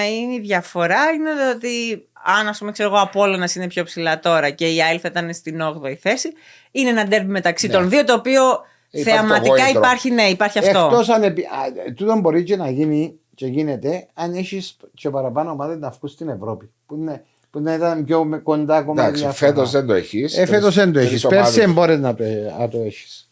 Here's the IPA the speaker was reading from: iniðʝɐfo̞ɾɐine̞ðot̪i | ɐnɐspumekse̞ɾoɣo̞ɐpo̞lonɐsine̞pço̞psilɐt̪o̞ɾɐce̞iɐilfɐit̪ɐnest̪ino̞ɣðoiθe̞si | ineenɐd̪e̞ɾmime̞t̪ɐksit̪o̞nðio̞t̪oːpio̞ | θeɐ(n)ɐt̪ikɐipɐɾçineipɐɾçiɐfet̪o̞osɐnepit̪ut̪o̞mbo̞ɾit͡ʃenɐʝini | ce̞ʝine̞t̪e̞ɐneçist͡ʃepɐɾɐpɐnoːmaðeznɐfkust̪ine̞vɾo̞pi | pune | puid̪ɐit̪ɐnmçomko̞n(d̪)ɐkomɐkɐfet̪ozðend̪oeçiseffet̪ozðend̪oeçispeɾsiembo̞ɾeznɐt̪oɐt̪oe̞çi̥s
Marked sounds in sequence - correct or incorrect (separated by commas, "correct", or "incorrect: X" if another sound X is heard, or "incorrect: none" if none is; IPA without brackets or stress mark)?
incorrect: m, correct